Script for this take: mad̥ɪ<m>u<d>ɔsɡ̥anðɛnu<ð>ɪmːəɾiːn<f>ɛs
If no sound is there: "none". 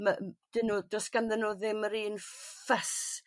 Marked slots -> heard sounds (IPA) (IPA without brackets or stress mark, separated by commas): n, d, ð, f